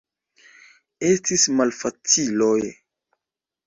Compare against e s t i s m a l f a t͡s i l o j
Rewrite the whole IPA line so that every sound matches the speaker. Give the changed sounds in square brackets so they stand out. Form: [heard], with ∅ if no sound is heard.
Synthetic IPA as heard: e s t i s m a l f a t͡s i l o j